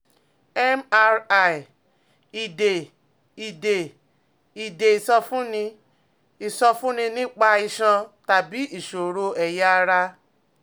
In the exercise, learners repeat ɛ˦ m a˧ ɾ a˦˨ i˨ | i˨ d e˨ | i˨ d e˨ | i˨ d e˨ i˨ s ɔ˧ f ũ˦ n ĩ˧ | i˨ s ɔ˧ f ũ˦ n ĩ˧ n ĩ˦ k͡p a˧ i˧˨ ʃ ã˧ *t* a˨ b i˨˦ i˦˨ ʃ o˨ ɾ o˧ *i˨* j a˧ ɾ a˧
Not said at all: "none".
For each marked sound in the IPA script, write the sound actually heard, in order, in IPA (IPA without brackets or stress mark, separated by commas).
t, ɛ˨